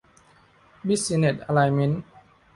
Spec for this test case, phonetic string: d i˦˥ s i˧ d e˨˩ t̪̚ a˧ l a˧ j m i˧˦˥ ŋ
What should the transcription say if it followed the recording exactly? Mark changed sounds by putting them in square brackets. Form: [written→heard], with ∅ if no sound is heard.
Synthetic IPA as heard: [d→b] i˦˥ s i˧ [d→n] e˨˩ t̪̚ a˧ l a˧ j m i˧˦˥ [ŋ→n]